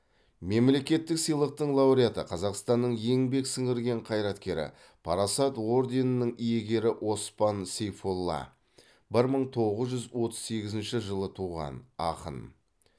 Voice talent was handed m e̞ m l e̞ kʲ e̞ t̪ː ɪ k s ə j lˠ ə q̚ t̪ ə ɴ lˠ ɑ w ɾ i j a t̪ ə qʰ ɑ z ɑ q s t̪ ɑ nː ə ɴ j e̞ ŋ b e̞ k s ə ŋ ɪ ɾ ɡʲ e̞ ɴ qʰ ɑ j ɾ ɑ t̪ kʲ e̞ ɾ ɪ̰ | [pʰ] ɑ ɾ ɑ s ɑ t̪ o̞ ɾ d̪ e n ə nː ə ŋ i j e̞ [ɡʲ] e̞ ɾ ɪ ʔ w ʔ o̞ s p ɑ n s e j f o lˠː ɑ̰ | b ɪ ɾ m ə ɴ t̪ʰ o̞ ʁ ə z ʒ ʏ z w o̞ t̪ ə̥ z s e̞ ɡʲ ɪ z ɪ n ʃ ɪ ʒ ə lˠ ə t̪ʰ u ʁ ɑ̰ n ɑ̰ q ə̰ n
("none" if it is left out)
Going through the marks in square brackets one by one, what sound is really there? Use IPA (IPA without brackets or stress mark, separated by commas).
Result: pʰ, ɡʲ